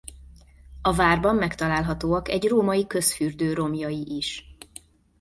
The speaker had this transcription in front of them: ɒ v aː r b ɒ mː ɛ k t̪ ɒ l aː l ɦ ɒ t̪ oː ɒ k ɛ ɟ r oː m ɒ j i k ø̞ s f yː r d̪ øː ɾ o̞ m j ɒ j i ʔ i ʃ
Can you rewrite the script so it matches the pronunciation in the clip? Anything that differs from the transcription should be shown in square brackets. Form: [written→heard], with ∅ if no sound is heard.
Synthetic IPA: ɒ v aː r b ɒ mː ɛ k t̪ ɒ l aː l ɦ ɒ t̪ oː ɒ k ɛ ɟ r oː m ɒ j i k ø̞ s f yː r d̪ øː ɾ o̞ m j ɒ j i ʔ i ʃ